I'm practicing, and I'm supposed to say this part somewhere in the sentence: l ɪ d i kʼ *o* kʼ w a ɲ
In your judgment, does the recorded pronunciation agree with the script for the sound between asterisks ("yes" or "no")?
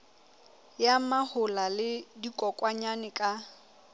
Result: no